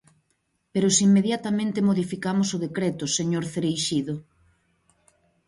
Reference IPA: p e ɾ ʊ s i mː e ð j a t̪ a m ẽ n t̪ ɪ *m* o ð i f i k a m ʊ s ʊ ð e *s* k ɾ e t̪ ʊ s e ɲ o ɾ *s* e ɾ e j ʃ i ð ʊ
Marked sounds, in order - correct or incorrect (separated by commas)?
correct, incorrect, incorrect